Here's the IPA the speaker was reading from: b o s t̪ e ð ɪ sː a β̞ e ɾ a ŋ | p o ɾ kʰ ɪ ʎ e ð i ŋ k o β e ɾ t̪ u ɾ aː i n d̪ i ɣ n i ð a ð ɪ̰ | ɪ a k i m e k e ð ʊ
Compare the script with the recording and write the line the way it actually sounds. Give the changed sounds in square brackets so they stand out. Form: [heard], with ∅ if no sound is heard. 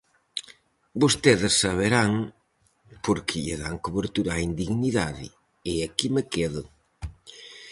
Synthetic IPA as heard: b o s t̪ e ð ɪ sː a β̞ e ɾ a ŋ | p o ɾ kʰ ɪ ʎ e ð [a] ŋ k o β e ɾ t̪ u ɾ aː i n d̪ i ɣ n i ð a ð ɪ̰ | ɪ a k i m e k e ð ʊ